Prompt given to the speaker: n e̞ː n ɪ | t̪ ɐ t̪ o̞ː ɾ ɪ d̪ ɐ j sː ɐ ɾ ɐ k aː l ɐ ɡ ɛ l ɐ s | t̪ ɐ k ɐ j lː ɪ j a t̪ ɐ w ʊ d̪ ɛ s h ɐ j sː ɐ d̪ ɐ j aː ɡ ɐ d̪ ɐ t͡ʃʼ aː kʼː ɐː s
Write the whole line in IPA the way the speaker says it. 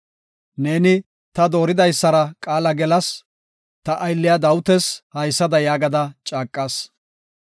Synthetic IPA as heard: n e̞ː n ɪ | t̪ ɐ d̪ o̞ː ɾ ɪ d̪ ɐ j sː ɐ ɾ ɐ kʼ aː l ɐ ɡ ɛ l ɐ s | t̪ ɐ ʔ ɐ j lː ɪ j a d̪ ɐ w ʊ t̪ ɛ s h ɐ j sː ɐ d̪ ɐ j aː ɡ ɐ d̪ ɐ t͡ʃʼ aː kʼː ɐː s